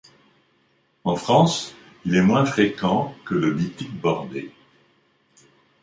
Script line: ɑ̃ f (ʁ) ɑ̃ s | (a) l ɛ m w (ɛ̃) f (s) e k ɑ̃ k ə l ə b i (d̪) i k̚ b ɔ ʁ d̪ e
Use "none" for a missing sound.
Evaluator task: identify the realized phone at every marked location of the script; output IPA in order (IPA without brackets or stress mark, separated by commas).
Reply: χ, i, ɛ̃, χ, t̪